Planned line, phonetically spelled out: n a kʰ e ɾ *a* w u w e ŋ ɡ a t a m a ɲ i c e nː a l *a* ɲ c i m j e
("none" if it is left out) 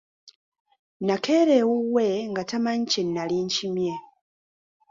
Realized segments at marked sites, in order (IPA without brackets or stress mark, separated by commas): e, i